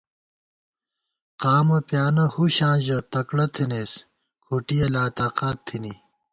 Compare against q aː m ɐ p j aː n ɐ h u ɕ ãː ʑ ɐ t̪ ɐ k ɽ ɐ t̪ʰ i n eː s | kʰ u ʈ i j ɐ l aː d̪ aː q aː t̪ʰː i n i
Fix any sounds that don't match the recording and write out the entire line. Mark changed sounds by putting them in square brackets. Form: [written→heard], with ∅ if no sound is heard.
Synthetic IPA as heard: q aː m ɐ p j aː n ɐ h u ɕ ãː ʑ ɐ t̪ ɐ k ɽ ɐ t̪ʰ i n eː s | kʰ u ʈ i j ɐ l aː [d̪→t̪] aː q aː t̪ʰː i n i